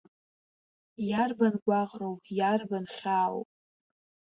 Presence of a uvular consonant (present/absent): present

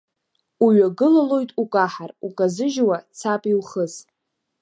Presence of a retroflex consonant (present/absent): absent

